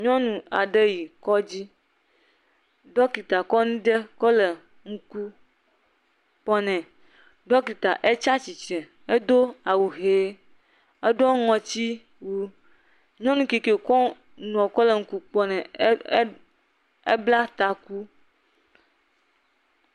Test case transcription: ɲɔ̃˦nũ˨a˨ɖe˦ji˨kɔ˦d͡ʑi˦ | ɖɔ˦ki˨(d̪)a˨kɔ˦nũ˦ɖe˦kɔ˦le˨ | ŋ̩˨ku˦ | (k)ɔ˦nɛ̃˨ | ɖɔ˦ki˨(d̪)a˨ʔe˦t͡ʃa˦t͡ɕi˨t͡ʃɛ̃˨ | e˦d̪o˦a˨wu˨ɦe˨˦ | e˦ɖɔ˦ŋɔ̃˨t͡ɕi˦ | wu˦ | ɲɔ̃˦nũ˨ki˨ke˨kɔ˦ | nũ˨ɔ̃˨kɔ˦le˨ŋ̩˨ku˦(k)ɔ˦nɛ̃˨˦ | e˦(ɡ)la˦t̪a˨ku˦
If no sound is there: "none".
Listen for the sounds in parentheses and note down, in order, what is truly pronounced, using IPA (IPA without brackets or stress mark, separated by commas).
t̪, k͡p, t̪, k͡p, b